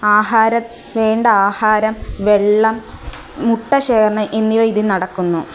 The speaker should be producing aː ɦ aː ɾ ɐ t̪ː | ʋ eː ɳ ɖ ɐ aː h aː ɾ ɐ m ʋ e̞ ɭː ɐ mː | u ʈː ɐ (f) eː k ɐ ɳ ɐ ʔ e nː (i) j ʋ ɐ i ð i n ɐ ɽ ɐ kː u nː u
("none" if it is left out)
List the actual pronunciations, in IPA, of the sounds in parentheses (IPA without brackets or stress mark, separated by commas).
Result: ɕ, i